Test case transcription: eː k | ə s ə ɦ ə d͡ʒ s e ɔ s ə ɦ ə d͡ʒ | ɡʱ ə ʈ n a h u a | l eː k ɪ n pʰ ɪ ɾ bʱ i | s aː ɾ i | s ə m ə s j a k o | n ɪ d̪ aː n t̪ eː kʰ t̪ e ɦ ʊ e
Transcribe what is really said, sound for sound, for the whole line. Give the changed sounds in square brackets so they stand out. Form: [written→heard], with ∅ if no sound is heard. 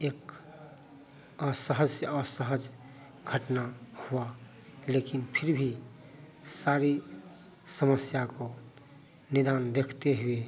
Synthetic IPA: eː k | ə s ə ɦ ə d͡ʒ s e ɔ s ə ɦ ə d͡ʒ | ɡʱ ə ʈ n a h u a | l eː k ɪ n pʰ ɪ ɾ bʱ i | s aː ɾ i | s ə m ə s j a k o | n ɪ d̪ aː n [t̪→d̪] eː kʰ t̪ e ɦ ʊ e